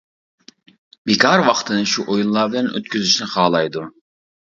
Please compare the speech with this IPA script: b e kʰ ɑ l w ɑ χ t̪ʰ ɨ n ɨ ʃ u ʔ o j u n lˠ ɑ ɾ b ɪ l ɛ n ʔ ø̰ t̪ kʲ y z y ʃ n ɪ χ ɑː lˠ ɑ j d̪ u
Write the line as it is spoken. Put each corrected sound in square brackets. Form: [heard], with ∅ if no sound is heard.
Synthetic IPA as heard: b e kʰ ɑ [ɾ] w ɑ χ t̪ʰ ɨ n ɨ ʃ u ʔ o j u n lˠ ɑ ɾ b ɪ l ɛ n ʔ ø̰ t̪ kʲ y z y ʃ n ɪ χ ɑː lˠ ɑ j d̪ u